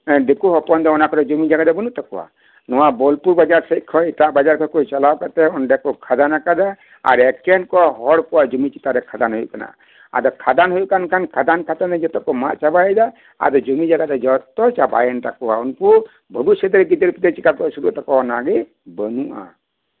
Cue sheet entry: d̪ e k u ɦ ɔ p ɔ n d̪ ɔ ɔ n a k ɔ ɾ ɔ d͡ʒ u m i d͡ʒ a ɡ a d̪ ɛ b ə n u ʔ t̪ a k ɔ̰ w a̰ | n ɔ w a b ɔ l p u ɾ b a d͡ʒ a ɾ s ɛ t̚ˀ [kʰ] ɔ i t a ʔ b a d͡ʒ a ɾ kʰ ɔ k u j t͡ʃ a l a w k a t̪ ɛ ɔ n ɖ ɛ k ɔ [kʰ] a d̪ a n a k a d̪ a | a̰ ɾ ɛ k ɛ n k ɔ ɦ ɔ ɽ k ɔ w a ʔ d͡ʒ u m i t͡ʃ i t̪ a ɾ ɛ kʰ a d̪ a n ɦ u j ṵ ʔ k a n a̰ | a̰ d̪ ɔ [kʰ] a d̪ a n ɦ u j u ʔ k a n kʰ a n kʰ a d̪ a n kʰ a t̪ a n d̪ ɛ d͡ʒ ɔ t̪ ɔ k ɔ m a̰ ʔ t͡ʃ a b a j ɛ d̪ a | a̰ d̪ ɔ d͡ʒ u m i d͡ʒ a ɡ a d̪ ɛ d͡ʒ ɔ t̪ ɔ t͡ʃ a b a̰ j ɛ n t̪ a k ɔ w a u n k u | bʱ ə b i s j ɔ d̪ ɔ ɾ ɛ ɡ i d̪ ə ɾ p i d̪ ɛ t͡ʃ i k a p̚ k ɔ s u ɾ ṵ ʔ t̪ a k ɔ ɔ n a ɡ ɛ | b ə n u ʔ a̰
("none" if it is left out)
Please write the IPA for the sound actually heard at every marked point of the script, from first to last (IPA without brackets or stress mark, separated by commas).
kʰ, kʰ, kʰ